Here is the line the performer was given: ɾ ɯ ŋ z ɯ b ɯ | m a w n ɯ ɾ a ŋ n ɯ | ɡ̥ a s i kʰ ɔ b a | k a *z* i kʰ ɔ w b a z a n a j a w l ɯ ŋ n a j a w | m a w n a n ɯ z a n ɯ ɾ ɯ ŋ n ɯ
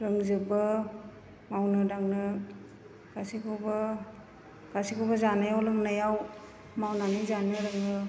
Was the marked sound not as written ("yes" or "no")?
yes